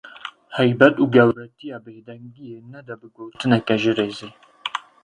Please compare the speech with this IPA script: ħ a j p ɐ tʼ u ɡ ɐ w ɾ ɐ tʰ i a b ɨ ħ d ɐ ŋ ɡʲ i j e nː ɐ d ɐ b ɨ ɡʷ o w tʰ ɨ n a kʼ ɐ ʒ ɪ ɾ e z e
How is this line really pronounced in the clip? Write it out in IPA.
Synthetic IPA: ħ a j b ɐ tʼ u ɡ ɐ w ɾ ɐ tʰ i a b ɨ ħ d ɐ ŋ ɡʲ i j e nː ɐ d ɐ b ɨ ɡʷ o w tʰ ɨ n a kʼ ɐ ʒ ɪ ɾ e z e